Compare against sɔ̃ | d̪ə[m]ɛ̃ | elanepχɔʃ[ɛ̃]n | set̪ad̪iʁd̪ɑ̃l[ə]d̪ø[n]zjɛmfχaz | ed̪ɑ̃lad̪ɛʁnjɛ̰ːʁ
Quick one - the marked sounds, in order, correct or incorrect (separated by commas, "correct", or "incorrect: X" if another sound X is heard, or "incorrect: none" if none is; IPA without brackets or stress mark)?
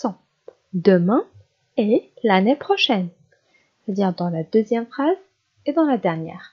correct, incorrect: ɛ, incorrect: a, incorrect: none